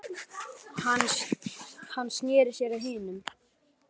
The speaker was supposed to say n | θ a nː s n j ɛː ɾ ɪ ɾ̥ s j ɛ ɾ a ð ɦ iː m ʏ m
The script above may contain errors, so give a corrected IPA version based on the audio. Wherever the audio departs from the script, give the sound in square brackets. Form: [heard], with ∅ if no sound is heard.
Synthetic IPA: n | [h] a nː s n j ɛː ɾ ɪ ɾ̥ s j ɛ ɾ a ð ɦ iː [n] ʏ m